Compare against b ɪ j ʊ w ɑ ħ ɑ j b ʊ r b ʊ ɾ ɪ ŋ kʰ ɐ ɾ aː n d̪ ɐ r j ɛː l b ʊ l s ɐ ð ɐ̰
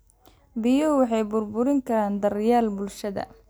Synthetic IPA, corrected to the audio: b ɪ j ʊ w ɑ ħ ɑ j b ʊ r b ʊ ɾ ɪ ŋ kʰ ɐ ɾ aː n d̪ ɐ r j aː l b ʊ l ʃ ɐ ð ɐ̰